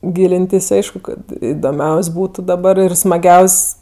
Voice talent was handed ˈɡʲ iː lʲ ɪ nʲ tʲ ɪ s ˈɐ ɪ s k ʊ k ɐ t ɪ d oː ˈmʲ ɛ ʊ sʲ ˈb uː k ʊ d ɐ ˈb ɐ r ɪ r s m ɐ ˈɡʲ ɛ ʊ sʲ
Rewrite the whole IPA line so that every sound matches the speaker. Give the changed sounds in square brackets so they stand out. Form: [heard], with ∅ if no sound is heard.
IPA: ˈɡʲ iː lʲ ɪ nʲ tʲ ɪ s ˈɐ ɪ [ʃ] k ʊ k ɐ t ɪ d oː ˈmʲ ɛ ʊ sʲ ˈb uː [t] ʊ d ɐ ˈb ɐ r ɪ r s m ɐ ˈɡʲ ɛ ʊ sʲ